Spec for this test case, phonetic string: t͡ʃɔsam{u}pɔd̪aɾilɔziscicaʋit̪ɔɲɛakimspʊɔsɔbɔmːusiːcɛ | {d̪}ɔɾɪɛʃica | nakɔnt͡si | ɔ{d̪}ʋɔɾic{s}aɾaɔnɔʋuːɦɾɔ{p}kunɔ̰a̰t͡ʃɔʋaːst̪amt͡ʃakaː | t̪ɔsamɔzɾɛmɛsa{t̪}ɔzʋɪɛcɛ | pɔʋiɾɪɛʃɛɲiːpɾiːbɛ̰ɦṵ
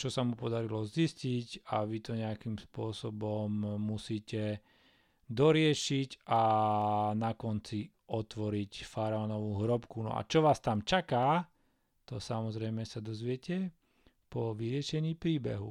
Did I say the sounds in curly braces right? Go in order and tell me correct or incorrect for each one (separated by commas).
correct, correct, incorrect, incorrect, correct, incorrect